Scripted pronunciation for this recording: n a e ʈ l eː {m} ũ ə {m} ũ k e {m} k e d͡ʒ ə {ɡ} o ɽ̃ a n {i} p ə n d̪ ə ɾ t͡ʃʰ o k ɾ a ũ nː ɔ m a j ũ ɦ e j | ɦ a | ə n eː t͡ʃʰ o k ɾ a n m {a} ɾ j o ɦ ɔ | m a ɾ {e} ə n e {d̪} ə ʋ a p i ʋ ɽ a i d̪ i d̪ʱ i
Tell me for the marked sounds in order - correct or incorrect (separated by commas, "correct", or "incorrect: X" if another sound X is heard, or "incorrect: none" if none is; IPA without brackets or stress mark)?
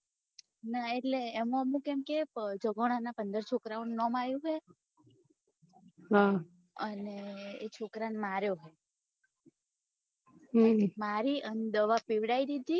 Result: correct, correct, correct, correct, incorrect: a, correct, incorrect: i, correct